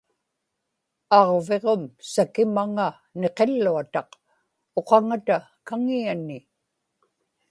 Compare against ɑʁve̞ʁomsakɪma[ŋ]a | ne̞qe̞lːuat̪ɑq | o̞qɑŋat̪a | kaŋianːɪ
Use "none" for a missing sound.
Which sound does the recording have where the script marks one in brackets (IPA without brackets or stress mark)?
ŋ